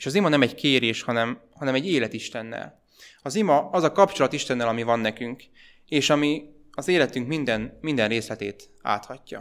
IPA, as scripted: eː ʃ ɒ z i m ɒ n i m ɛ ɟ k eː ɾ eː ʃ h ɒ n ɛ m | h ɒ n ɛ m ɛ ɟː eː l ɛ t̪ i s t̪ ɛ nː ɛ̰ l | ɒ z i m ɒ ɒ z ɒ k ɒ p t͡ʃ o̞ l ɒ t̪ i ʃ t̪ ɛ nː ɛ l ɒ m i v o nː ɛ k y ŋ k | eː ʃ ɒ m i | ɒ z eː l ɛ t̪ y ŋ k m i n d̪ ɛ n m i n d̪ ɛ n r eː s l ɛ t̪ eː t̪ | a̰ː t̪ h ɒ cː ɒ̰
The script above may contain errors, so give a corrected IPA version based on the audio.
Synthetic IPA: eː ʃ ɒ z i m ɒ n ɛ m ɛ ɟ k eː ɾ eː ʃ h ɒ n ɛ m | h ɒ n ɛ m ɛ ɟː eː l ɛ t̪ i ʃ t̪ ɛ nː ɛ̰ l | ɒ z i m ɒ ɒ z ɒ k ɒ p t͡ʃ o̞ l ɒ t̪ i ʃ t̪ ɛ nː ɛ l ɒ m i v ɒ nː ɛ k y ŋ k | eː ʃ ɒ m i | ɒ z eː l ɛ t̪ y ŋ k m i n d̪ ɛ n m i n d̪ ɛ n r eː s l ɛ t̪ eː t̪ | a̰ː t̪ h ɒ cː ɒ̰